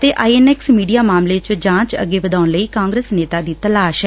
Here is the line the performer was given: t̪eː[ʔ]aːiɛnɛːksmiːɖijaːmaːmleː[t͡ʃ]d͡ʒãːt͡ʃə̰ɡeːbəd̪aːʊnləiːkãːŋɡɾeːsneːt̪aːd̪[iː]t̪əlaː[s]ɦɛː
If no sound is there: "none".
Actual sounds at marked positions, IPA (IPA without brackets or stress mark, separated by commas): ʔ, t͡ʃ, iː, ʃ